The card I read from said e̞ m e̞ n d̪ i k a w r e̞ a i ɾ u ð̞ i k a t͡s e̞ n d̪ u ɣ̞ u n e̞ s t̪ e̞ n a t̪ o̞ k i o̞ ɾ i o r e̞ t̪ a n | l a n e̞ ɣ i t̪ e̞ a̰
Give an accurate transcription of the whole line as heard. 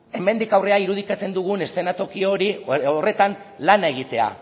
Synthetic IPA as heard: e̞ m e̞ n d̪ i k a w r e̞ a i ɾ u ð̞ i k a t͡s e̞ n d̪ u ɣ̞ u n e̞ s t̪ e̞ n a t̪ o̞ k i o̞ ɾ i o r e̞ t̪ a n | l a n e̞ ɣ i t̪ e̞ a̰